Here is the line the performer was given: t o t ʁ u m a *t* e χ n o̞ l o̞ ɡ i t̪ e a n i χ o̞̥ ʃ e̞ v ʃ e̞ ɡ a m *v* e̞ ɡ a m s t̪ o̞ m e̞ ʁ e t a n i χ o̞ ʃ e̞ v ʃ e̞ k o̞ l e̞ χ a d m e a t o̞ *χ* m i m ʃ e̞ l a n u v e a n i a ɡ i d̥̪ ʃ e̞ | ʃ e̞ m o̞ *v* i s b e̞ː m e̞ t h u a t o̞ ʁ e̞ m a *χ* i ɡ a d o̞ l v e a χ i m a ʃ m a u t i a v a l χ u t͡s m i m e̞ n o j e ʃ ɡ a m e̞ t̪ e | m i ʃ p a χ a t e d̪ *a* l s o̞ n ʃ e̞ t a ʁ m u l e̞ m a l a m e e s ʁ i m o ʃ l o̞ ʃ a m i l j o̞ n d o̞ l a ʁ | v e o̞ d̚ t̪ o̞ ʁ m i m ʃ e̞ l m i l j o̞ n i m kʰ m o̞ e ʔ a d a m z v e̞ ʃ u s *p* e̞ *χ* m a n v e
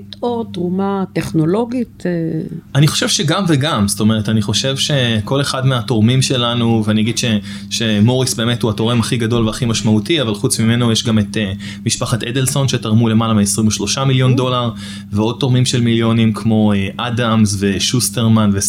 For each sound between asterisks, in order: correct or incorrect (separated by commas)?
correct, correct, incorrect, incorrect, correct, incorrect, incorrect, incorrect